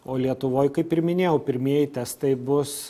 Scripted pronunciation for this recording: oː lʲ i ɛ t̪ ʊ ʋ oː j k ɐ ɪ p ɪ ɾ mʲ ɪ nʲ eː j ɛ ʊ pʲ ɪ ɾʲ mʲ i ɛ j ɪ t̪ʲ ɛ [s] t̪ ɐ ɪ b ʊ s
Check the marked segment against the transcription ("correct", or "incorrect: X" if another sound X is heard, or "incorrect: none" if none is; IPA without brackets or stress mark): correct